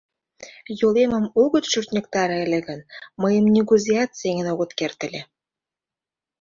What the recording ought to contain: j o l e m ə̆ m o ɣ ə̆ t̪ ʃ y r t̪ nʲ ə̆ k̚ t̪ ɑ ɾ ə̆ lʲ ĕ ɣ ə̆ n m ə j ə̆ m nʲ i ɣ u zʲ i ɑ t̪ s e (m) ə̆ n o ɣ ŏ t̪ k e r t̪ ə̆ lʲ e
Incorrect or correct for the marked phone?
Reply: incorrect: ŋ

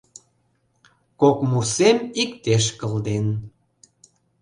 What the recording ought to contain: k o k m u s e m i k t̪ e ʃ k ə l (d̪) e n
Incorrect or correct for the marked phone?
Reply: correct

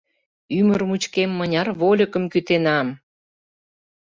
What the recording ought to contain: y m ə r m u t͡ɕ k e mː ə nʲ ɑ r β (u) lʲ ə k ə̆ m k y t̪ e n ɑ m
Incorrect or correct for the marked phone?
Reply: incorrect: o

